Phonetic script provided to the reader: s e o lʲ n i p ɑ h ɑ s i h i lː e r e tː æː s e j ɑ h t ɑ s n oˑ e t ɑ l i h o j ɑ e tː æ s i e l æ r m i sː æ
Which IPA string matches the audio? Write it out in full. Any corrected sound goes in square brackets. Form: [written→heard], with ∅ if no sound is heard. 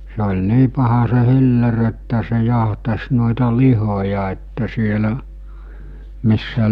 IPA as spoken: s e o lʲ n [i→iː] p ɑ h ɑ s [i→e] h i lː e r e tː [æː→æ] s e j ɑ h t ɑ s n oˑ e t ɑ l i h o j ɑ e tː æ s i e l æ [r→∅] m i sː æ